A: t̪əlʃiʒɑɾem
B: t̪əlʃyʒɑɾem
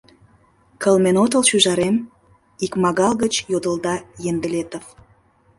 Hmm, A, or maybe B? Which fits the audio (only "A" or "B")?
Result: B